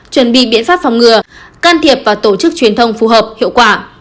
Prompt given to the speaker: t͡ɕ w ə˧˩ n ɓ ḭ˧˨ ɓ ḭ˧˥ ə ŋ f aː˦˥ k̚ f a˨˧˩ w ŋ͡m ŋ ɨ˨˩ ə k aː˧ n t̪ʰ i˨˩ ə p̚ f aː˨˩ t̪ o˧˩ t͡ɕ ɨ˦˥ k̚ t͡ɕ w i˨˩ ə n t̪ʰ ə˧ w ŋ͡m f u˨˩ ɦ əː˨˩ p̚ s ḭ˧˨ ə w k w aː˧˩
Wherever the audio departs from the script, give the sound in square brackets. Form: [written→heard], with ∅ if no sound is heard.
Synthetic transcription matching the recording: t͡ɕ w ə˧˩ n ɓ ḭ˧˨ ɓ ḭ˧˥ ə [ŋ→n] f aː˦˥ [k̚→p̚] f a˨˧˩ w ŋ͡m ŋ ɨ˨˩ ə k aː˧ n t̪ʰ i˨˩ ə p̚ [f→v] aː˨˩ t̪ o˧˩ t͡ɕ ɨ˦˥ k̚ t͡ɕ w i˨˩ ə n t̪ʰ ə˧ w ŋ͡m f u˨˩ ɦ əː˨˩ p̚ [s→h] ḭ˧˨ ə w k w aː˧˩

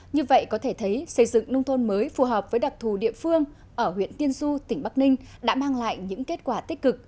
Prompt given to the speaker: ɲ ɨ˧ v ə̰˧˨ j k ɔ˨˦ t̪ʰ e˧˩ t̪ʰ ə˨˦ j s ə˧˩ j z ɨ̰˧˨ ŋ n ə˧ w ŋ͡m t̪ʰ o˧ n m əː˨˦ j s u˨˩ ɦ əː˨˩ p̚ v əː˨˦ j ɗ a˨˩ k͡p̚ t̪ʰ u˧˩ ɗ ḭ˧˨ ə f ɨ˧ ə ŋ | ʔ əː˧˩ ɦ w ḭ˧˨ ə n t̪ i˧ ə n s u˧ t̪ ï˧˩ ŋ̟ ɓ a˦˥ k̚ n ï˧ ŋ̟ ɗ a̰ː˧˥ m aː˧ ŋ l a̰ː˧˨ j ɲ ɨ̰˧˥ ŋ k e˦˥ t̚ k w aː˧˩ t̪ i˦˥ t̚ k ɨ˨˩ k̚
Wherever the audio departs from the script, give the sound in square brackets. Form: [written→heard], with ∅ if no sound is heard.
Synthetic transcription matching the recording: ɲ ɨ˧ v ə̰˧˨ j k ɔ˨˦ t̪ʰ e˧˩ t̪ʰ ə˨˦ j s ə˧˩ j z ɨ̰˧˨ ŋ n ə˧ w ŋ͡m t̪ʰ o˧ n m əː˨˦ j [s→f] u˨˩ ɦ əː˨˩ p̚ v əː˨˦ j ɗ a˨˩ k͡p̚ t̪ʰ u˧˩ ɗ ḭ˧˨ ə f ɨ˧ ə ŋ | ʔ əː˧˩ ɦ w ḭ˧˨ ə n t̪ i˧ ə n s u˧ t̪ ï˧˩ ŋ̟ ɓ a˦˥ k̚ n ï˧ ŋ̟ ɗ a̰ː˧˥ m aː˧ ŋ l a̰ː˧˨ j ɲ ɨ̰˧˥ ŋ k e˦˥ t̚ k w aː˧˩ t̪ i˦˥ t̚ k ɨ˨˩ k̚

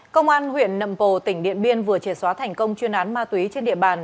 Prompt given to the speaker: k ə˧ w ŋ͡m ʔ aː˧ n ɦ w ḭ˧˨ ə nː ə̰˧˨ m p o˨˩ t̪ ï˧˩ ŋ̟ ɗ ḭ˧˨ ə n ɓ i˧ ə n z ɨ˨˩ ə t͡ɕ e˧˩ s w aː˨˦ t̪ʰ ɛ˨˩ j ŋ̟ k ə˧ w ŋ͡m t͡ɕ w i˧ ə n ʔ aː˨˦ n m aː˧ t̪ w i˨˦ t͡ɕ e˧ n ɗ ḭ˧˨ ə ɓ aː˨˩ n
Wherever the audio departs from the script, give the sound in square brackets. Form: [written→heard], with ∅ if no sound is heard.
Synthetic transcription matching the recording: k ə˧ w ŋ͡m ʔ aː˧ n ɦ w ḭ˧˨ ə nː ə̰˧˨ m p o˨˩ t̪ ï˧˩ ŋ̟ ɗ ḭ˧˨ ə n ɓ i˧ ə n [z→v] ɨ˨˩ ə t͡ɕ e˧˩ s w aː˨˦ t̪ʰ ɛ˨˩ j ŋ̟ k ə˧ w ŋ͡m t͡ɕ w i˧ ə n ʔ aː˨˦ n m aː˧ t̪ w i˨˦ t͡ɕ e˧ n ɗ ḭ˧˨ ə ɓ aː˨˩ n

